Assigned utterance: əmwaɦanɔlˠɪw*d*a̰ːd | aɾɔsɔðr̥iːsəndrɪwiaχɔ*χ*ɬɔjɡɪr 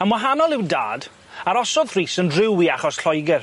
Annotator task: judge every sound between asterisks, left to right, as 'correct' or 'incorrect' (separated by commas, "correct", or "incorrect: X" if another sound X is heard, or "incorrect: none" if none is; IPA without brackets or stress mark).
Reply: correct, incorrect: s